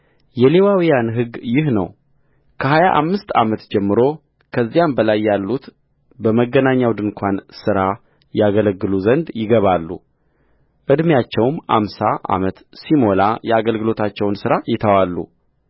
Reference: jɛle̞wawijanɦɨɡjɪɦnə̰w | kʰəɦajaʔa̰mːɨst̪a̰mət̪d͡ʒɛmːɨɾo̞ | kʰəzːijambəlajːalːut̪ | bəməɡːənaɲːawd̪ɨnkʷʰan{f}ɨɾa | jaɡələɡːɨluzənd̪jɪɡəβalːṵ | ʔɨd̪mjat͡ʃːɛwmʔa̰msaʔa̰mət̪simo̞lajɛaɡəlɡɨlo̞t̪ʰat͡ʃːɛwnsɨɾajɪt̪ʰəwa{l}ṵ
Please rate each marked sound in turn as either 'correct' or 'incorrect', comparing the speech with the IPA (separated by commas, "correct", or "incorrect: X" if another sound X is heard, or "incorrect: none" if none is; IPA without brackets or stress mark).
incorrect: s, incorrect: lː